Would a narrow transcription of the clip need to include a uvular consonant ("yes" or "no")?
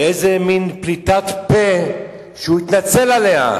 no